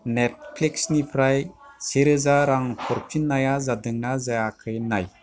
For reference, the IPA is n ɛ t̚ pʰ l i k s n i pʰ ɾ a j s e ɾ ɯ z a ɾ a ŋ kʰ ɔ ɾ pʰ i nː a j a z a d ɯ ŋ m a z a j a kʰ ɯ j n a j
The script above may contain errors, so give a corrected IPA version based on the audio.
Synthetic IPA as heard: n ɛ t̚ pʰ l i k s n i pʰ ɾ a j s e ɾ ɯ z a ɾ a ŋ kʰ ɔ ɾ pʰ i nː a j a z a d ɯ ŋ n a z a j a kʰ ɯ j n a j